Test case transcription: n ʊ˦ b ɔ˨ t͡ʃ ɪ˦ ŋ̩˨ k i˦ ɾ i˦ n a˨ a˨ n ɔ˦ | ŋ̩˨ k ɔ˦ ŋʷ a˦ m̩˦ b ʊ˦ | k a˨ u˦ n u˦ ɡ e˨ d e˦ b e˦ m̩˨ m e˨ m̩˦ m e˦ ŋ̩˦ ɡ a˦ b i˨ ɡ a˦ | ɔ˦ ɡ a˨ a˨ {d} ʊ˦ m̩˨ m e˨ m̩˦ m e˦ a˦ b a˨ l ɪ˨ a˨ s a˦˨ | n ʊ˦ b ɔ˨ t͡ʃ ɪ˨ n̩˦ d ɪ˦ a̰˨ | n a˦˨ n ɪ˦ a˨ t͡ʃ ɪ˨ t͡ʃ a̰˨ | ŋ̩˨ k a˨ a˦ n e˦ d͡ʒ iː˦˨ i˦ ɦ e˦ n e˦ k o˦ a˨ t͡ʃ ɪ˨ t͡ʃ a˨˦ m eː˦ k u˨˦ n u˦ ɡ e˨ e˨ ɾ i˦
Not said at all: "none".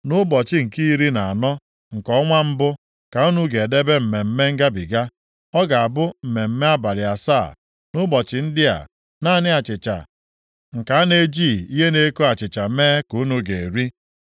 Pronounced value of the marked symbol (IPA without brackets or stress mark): b